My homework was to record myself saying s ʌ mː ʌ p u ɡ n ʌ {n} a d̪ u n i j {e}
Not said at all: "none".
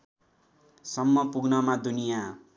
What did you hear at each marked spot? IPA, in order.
m, a

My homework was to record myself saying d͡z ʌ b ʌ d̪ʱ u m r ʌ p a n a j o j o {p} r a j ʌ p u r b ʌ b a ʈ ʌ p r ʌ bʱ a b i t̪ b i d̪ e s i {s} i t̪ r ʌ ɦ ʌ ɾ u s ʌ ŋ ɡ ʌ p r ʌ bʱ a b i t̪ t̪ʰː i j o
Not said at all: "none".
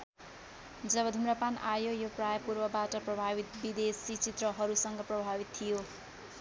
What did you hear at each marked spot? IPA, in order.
p, t͡s

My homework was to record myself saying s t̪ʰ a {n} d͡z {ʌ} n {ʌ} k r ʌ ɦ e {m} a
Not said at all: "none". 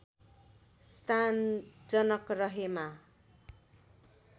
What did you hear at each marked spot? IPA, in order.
n, ʌ, ʌ, m

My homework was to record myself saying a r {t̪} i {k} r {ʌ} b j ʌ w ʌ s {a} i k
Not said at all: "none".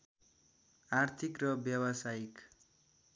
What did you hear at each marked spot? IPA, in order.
t̪ʰ, k, ʌ, a

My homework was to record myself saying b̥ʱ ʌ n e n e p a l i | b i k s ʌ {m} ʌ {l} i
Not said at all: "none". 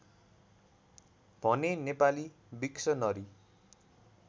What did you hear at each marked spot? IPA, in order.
n, ɾ

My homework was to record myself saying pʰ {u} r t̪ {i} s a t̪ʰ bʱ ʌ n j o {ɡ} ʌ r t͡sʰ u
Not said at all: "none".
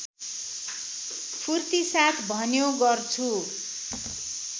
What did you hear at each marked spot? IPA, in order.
u, i, ɡ

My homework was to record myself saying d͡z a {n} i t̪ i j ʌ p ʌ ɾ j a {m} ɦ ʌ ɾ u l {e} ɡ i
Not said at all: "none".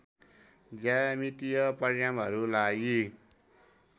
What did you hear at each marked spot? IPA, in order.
m, m, a

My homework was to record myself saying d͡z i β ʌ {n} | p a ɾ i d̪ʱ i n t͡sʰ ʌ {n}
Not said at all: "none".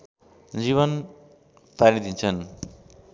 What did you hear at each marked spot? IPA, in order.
n, n

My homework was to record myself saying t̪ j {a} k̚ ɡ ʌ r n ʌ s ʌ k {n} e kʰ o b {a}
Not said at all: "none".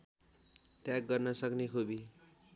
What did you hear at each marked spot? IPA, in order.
a, n, i

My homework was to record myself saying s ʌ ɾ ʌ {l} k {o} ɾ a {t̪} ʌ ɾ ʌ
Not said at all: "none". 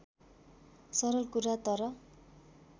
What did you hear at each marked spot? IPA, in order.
l, u, t̪

